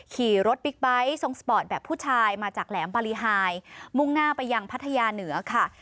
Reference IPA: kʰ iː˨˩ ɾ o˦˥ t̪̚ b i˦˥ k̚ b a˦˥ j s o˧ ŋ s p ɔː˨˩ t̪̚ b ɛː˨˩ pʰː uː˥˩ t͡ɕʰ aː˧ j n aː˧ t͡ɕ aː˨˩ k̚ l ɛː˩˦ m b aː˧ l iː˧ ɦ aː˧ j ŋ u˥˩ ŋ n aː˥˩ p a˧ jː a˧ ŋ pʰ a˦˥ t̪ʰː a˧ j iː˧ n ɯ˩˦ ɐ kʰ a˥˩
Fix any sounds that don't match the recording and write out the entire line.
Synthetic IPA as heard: kʰ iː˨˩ ɾ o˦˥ t̪̚ b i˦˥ k̚ b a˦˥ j s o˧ ŋ s p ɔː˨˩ t̪̚ b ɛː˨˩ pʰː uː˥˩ t͡ɕʰ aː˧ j m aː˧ t͡ɕ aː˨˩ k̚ l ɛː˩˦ m b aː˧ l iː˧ ɦ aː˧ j m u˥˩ ŋ n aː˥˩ p a˧ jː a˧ ŋ pʰ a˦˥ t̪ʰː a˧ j aː˧ n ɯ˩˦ ɐ kʰ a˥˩